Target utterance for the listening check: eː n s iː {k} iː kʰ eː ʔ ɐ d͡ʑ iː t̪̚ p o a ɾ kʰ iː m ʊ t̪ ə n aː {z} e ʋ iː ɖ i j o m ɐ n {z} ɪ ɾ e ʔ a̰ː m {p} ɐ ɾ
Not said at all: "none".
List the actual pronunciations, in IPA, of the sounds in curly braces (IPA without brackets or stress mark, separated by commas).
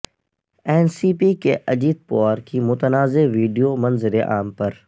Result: p, z, z, p